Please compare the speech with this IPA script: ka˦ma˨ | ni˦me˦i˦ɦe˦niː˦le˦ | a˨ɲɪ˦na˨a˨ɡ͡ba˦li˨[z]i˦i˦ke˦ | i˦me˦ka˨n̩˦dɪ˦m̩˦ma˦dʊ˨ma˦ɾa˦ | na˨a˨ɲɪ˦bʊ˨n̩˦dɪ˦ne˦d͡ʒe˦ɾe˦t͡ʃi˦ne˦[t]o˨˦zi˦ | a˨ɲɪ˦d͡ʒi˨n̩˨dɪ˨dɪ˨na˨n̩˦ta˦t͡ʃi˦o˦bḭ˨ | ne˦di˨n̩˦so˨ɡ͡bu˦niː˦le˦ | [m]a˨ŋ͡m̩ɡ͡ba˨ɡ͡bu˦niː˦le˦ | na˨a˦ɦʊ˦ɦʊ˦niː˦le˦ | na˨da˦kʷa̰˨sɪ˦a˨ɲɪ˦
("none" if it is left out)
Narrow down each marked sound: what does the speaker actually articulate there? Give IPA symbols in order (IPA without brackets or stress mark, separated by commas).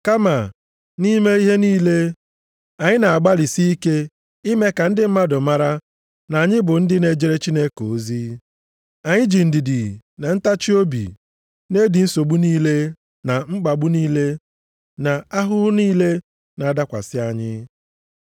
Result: s, k, n